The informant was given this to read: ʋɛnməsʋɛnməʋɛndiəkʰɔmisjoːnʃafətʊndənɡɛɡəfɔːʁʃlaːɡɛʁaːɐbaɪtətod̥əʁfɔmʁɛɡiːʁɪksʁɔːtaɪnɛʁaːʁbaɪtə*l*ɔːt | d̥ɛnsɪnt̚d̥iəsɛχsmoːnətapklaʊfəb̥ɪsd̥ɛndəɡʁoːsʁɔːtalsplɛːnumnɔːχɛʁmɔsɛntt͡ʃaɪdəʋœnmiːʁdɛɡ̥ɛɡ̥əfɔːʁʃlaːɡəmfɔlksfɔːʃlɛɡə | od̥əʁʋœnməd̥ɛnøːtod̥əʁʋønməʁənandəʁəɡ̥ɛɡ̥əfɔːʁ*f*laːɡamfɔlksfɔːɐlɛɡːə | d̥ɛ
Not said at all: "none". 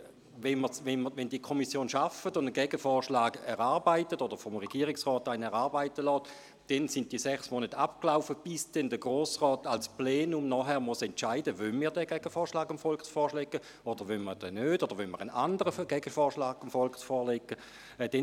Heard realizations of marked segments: l, ʃ

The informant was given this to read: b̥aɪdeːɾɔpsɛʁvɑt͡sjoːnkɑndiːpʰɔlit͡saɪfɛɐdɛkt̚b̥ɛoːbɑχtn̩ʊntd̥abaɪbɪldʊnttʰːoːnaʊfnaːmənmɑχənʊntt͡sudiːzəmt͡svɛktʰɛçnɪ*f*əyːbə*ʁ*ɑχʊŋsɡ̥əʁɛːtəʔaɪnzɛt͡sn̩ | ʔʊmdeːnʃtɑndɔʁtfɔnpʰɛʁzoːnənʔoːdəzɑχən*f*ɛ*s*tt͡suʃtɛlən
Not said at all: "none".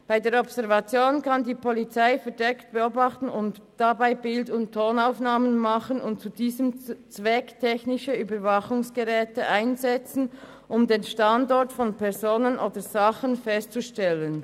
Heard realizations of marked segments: ʃ, v, f, s

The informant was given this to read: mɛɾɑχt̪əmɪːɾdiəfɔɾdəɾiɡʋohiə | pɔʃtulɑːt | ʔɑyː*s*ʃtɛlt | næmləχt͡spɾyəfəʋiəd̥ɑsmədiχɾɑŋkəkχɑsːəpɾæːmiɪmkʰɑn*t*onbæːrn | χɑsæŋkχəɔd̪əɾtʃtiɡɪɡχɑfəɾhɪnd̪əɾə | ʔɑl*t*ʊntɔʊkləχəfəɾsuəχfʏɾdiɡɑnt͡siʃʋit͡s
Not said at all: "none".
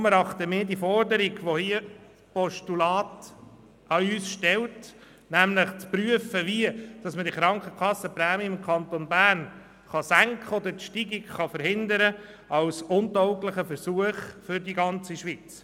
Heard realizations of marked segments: s, t, s

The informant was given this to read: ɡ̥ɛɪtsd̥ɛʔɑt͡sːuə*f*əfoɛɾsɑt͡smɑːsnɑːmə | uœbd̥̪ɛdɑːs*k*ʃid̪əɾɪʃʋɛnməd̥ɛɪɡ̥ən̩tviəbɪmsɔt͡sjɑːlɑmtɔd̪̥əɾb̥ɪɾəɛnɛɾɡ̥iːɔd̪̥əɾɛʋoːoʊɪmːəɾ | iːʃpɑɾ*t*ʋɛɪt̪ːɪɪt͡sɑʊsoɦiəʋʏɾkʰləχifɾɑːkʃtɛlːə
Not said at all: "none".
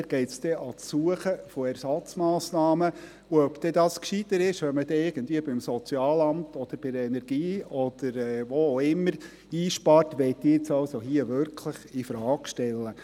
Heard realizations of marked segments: χ, k, t

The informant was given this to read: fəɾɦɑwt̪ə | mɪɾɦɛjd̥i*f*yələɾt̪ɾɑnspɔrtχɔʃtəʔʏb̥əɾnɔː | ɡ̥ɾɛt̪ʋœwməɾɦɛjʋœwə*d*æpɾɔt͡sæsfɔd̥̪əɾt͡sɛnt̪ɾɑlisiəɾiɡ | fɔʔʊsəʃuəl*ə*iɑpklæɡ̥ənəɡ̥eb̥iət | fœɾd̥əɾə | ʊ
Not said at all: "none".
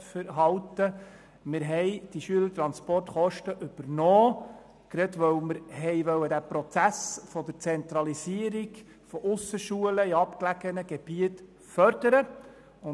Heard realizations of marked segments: ʃ, d, ə

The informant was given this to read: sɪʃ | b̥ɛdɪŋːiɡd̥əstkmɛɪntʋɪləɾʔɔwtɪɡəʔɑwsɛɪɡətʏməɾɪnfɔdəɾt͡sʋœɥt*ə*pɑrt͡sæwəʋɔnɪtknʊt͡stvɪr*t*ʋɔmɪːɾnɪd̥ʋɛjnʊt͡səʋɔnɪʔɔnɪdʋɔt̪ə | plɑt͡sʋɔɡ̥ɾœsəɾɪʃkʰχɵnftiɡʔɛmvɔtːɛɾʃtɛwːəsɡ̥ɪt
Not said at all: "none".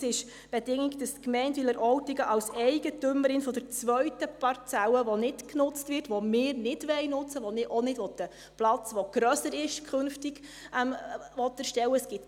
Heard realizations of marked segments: ə, t

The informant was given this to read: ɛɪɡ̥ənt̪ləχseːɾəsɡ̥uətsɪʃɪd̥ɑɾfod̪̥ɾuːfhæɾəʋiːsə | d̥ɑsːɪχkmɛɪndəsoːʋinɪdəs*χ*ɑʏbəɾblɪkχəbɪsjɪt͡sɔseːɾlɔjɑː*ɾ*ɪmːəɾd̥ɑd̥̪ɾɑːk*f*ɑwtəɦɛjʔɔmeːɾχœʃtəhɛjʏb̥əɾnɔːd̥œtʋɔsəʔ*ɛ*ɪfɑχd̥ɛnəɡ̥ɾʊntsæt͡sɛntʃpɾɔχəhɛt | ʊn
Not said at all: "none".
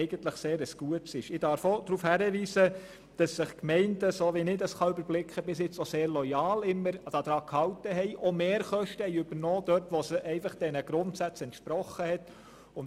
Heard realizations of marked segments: χ, l, h, ɛ

